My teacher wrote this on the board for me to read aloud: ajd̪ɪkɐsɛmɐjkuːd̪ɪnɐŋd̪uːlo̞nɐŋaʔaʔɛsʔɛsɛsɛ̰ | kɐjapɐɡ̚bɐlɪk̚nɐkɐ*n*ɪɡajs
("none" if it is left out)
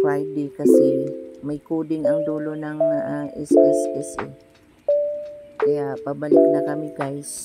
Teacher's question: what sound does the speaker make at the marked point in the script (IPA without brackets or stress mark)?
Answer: m